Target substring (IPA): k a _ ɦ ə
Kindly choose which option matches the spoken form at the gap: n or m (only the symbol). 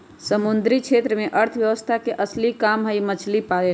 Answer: m